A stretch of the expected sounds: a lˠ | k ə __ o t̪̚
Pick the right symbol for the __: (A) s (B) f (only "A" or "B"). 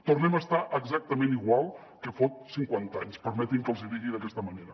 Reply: B